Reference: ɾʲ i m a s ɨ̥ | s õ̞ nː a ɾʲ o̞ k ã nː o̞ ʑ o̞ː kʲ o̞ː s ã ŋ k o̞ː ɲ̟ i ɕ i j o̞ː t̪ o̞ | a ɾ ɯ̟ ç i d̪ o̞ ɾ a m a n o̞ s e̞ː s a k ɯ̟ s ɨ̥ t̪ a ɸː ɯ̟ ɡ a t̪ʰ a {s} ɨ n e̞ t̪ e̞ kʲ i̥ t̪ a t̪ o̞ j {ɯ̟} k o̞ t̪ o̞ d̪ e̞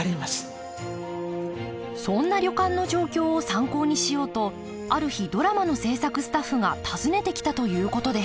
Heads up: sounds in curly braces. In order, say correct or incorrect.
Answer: incorrect: z, incorrect: ɯ̟ː

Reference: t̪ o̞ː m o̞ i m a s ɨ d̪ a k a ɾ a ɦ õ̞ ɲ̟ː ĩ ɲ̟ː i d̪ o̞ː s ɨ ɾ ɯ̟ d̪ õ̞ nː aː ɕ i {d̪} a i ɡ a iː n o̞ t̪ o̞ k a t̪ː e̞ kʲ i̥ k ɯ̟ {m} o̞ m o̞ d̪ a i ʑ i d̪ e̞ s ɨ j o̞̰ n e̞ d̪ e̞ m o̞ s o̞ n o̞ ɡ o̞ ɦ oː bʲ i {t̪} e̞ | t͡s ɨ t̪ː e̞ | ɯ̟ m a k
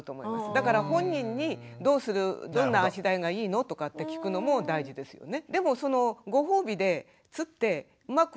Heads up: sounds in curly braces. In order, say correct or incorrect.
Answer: correct, incorrect: n, incorrect: d̪

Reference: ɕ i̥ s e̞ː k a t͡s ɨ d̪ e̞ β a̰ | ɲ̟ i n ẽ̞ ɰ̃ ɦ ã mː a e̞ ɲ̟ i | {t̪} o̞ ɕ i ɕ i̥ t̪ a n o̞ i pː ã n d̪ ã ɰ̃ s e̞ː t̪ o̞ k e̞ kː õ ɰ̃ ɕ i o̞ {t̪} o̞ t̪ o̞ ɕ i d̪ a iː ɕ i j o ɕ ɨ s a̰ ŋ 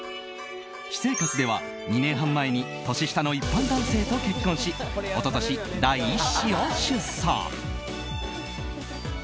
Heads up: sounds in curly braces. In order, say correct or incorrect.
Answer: correct, correct

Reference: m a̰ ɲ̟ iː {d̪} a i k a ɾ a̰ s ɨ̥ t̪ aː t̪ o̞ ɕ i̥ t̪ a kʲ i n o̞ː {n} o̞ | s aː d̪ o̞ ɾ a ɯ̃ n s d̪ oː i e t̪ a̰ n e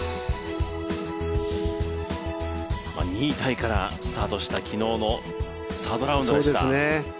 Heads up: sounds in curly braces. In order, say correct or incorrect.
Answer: incorrect: t̪, correct

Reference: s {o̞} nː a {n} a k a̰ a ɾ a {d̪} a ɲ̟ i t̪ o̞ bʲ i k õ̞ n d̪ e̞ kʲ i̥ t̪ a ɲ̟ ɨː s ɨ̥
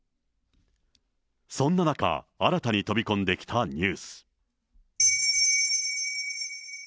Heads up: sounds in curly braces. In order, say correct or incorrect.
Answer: incorrect: õ̞, correct, incorrect: t̪

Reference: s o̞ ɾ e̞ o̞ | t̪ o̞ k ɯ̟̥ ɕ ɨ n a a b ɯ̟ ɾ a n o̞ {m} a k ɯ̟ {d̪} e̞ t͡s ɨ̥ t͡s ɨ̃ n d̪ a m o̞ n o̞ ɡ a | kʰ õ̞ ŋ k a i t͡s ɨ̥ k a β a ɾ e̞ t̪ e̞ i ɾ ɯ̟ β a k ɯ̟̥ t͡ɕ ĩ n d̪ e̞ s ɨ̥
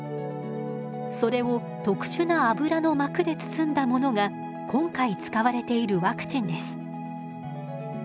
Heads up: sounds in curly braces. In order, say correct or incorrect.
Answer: correct, correct

